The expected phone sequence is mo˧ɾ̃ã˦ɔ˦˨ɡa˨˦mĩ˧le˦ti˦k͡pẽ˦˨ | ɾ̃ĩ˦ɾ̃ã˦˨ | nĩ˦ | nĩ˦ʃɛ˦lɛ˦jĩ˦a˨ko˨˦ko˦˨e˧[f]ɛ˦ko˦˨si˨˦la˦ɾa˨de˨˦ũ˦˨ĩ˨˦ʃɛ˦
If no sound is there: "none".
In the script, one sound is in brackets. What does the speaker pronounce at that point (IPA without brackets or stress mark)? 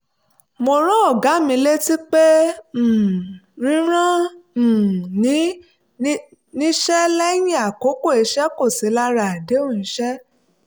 ʃ